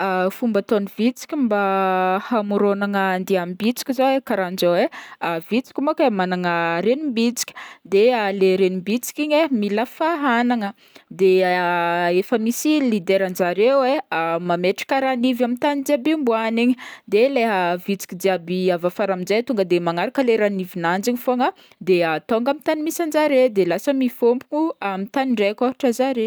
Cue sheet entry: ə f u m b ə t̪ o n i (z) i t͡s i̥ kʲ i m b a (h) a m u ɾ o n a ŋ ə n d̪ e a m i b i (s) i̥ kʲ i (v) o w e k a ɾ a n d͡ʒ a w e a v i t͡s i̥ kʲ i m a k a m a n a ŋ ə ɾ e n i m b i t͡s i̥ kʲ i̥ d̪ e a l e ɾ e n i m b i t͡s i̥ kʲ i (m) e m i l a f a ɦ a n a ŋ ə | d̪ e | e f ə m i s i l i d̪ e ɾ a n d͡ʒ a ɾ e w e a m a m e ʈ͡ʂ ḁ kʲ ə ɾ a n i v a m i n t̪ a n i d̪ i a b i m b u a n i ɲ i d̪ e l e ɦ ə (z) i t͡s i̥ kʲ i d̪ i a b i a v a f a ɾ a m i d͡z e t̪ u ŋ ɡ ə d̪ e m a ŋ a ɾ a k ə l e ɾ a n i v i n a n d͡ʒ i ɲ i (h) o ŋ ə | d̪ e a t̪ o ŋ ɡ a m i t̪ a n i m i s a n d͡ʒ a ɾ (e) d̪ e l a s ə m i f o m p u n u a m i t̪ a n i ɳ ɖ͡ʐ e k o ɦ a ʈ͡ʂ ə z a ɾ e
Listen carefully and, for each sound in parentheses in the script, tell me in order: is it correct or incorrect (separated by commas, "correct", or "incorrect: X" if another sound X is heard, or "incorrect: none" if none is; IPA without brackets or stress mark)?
incorrect: v, correct, incorrect: t͡s, incorrect: z, incorrect: ɲ, incorrect: v, incorrect: f, correct